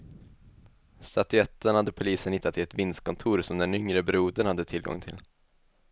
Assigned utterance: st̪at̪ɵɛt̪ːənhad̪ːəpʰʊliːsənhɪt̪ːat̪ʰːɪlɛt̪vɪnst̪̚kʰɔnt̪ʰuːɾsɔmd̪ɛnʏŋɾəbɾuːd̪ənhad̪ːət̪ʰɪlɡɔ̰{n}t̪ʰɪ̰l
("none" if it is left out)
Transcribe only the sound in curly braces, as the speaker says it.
ŋ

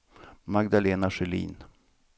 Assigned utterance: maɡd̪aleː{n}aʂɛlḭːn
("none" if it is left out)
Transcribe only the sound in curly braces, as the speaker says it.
n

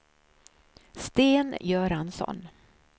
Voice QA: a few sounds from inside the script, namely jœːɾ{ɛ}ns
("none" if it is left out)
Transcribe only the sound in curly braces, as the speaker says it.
a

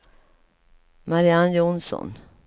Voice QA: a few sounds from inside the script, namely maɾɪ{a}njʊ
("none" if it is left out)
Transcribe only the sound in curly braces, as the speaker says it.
a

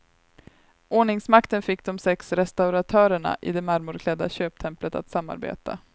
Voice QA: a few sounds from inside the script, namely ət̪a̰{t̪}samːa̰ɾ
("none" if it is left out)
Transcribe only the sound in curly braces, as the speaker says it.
t̪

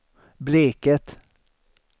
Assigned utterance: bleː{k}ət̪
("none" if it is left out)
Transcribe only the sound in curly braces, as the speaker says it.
k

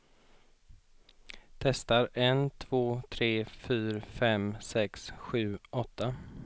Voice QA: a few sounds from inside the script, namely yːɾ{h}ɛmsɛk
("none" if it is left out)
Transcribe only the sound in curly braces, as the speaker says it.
f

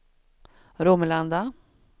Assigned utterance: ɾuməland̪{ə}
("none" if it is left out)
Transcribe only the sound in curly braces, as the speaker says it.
a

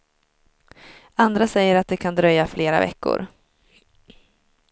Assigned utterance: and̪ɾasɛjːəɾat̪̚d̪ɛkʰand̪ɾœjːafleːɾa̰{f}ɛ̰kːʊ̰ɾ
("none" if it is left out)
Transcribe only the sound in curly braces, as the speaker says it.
v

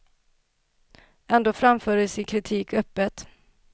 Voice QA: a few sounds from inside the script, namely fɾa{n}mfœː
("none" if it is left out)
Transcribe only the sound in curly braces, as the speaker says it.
none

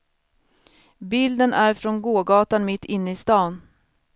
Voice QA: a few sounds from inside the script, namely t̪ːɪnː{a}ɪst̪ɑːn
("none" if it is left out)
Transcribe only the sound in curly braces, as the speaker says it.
ə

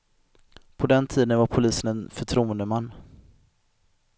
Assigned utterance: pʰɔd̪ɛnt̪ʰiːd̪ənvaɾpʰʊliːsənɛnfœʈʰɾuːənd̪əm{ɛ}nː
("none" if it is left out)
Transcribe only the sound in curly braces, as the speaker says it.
a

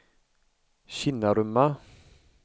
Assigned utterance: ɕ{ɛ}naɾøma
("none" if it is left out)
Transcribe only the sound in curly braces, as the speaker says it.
i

